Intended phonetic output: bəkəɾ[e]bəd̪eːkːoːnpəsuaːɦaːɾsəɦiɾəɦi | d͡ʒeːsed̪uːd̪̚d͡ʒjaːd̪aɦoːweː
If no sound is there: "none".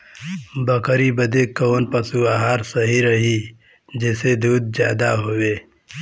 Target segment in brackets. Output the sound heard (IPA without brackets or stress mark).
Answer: i